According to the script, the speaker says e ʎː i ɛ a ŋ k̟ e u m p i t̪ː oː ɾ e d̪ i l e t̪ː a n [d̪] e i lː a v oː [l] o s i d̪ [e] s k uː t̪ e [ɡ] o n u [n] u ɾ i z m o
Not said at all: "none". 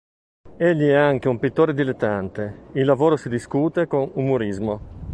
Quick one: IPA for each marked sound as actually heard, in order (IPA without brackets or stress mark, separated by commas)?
t̪, ɾ, i, k, m